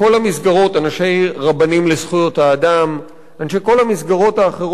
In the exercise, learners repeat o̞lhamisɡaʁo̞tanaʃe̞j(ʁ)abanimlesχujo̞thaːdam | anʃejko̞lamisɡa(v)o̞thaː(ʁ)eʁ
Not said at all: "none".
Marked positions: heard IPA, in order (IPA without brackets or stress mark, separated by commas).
ʁ, ʁ, χ